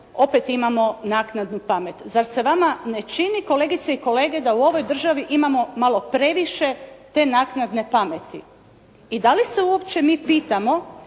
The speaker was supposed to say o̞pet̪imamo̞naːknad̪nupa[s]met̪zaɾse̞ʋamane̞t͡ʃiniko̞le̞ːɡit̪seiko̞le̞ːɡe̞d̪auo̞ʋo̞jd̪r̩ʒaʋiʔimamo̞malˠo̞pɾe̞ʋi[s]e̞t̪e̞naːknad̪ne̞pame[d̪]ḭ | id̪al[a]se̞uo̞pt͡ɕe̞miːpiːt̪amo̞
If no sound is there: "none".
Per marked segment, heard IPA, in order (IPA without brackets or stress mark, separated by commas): none, ʃ, t̪, i